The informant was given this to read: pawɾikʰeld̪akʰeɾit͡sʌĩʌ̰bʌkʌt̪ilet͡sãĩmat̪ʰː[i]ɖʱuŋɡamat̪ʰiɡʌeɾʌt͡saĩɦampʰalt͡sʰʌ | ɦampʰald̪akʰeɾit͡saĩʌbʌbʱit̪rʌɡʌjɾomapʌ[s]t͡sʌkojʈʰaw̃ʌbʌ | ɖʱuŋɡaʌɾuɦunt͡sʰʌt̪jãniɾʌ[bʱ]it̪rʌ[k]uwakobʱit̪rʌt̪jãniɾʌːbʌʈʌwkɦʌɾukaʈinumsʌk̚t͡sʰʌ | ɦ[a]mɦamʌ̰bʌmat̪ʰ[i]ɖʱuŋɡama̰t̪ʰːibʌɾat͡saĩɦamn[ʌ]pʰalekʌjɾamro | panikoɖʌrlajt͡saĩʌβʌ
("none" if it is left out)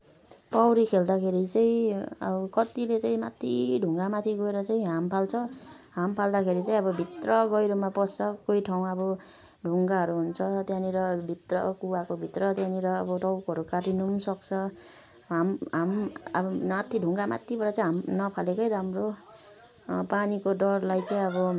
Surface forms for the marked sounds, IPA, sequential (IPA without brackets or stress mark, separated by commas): i, s, bʱ, k, a, i, ʌ